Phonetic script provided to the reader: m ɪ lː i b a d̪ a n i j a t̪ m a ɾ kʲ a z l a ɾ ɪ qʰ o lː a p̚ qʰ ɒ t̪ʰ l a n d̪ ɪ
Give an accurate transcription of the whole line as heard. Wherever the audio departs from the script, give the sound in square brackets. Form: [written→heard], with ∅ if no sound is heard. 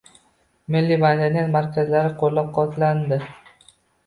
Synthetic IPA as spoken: m ɪ lː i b a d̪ a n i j a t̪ m a ɾ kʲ a z l a ɾ ɪ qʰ o lː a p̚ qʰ ɒ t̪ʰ l a n d̪ ɪ

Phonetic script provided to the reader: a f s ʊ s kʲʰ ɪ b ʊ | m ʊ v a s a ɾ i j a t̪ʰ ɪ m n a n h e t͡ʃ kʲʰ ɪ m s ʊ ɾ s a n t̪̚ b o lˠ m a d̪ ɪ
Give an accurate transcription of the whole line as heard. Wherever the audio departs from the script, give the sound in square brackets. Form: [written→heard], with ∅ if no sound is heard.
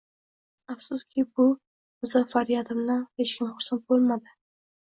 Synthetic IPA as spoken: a f s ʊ s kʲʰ ɪ b ʊ | m ʊ [v→z] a [s→f] a ɾ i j a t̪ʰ ɪ m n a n h e t͡ʃ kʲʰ ɪ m [s→χ] ʊ ɾ s a n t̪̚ b o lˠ m a d̪ ɪ

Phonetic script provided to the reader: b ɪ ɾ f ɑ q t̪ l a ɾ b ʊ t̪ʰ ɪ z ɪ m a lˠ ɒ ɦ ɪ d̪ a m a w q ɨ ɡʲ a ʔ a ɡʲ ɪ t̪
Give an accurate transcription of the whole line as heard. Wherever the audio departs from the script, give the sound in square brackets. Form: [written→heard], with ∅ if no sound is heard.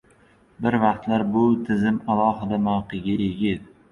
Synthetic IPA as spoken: b ɪ ɾ [f→v] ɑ q t̪ l a ɾ b ʊ t̪ʰ ɪ z ɪ m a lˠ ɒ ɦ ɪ d̪ a m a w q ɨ ɡʲ a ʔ [a→e] ɡʲ ɪ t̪

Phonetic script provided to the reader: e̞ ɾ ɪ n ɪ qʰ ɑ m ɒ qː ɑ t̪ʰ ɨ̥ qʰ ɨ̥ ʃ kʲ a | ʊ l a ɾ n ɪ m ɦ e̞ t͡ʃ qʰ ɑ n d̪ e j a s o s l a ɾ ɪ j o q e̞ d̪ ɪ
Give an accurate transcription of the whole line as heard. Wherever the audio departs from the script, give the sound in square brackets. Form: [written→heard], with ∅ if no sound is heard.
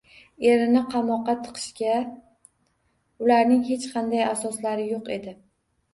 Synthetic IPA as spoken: e̞ ɾ ɪ n ɪ qʰ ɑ m ɒ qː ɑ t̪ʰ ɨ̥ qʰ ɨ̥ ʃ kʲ a | ʊ l a ɾ n ɪ [m→ŋ] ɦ e̞ t͡ʃ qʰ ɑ n d̪ [e→a] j a s [o→ɒ] s l a ɾ ɪ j o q e̞ d̪ ɪ

